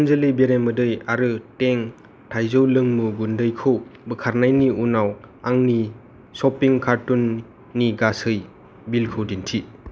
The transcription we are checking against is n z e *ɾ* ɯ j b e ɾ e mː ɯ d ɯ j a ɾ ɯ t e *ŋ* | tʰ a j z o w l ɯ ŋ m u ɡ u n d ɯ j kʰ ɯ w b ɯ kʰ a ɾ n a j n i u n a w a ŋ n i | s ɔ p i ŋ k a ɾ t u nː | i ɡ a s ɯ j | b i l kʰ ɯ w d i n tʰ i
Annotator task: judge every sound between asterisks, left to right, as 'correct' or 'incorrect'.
incorrect: l, correct

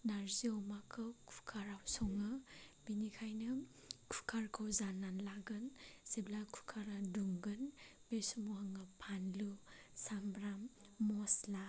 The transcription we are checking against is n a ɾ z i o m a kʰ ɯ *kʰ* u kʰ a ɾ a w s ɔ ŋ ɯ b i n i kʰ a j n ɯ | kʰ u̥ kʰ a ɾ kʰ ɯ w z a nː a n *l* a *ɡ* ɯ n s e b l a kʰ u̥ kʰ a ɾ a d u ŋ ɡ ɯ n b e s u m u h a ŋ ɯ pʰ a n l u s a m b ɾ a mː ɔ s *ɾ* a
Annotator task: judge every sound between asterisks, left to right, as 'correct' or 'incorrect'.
correct, correct, correct, incorrect: l

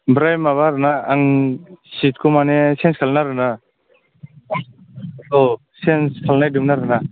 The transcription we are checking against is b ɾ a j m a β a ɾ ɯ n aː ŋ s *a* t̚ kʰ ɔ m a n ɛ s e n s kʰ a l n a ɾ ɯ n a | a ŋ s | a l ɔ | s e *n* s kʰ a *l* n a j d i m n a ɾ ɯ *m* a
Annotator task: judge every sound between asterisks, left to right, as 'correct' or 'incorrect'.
incorrect: i, correct, correct, incorrect: n

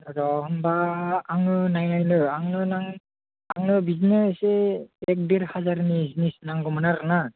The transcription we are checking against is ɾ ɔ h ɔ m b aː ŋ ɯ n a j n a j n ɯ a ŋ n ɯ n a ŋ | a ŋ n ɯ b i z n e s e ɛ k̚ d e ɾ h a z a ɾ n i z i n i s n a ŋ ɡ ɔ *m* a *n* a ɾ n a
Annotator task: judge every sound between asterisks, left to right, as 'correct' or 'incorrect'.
correct, correct

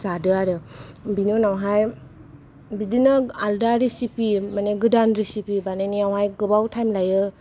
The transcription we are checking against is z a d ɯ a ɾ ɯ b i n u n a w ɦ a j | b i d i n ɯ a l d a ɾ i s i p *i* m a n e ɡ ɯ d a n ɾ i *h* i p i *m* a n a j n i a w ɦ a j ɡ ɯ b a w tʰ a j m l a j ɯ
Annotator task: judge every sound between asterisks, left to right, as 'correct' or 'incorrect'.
correct, incorrect: s, incorrect: b

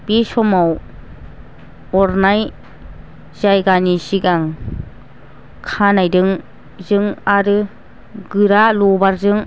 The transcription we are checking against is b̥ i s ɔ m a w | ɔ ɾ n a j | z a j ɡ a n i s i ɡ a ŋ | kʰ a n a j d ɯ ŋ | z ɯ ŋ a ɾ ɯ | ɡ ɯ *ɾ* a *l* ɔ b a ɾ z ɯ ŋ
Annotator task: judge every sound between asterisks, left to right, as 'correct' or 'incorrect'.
correct, correct

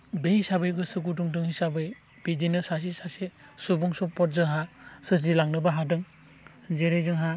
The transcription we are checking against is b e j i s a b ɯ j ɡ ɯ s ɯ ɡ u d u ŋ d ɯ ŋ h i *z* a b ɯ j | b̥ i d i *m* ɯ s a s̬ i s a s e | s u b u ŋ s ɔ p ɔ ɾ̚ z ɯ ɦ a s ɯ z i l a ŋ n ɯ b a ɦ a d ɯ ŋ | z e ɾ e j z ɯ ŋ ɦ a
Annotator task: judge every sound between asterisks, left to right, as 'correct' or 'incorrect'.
incorrect: s, incorrect: n

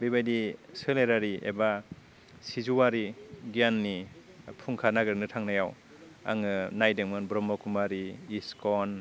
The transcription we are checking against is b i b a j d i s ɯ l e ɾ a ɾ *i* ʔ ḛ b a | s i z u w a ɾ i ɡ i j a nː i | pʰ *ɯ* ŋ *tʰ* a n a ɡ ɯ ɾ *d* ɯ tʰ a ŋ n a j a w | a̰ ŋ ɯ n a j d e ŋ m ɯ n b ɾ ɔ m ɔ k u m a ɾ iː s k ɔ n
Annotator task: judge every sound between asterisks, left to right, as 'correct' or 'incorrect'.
correct, incorrect: u, incorrect: kʰ, incorrect: n

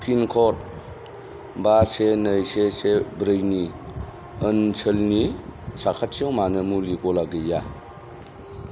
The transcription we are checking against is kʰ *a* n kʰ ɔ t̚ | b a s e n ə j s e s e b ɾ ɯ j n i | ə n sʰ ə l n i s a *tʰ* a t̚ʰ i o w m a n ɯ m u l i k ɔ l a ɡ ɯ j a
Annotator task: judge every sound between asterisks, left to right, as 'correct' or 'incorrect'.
incorrect: i, incorrect: kʰ

